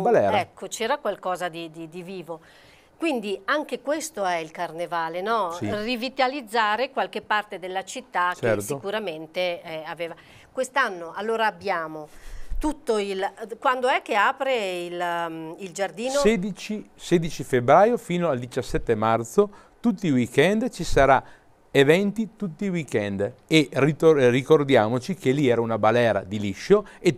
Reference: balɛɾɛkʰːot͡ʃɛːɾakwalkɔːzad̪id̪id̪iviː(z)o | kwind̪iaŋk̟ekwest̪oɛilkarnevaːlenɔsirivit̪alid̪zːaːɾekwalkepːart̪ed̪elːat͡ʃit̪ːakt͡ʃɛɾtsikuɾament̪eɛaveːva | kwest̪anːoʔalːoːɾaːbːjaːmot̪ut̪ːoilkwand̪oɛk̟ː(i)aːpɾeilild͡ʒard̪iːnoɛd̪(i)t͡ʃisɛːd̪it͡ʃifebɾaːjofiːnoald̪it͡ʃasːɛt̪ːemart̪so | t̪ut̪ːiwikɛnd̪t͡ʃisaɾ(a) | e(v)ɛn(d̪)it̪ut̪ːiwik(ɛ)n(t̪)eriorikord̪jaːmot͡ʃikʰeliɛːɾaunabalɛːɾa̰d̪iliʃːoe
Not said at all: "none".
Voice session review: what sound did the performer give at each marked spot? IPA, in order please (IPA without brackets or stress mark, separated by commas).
v, e, i, a, v, t̪, ɛ, d̪